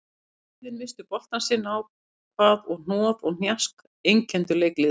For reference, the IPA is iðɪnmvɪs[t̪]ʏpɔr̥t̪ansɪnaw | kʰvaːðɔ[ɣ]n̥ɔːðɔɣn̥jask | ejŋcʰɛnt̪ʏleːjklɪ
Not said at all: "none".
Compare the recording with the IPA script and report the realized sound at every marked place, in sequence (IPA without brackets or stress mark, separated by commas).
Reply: t̪, ɣ